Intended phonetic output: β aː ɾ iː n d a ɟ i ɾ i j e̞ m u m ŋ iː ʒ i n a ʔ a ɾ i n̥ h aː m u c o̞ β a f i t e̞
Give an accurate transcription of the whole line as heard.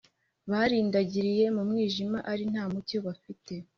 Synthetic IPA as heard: β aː ɾ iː n d a ɟ i ɾ i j e̞ m u m ŋ iː ʒ i m a ʔ a ɾ i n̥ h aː m u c o̞ β a f i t e̞